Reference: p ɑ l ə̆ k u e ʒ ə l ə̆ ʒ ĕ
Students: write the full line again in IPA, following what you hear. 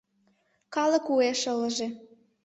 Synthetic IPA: k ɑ l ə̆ k u e ʃ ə l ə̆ ʒ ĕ